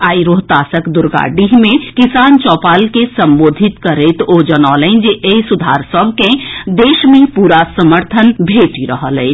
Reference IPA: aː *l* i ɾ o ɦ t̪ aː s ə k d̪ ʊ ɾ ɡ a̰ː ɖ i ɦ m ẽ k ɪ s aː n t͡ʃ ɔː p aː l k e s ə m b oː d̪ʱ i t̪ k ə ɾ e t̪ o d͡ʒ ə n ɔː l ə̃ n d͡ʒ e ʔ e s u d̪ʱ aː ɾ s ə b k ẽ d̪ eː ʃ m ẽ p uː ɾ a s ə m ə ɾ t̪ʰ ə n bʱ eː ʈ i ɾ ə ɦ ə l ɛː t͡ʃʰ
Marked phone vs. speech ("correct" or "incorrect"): incorrect